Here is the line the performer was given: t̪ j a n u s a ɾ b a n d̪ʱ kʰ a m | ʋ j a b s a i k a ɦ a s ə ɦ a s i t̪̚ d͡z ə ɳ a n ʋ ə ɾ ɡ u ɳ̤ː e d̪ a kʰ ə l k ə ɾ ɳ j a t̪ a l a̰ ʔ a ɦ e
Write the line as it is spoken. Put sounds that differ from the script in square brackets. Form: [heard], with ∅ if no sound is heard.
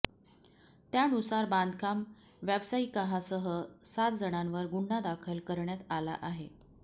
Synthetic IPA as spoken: t̪ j a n u s a ɾ b a n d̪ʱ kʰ a m | ʋ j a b s a i k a ɦ a s ə ɦ [ə] s [a] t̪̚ d͡z ə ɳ a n ʋ ə ɾ ɡ u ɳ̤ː [a] d̪ a kʰ ə l k ə ɾ ɳ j a t̪ a l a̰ ʔ a ɦ e